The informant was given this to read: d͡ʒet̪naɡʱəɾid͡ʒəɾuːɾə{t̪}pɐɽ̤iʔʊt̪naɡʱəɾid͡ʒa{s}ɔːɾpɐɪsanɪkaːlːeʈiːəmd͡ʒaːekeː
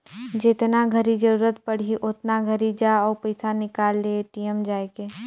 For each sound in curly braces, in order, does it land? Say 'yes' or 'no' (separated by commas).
yes, no